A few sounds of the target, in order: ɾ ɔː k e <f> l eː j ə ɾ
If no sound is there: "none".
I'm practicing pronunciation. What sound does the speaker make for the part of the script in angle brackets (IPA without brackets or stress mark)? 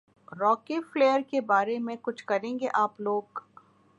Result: f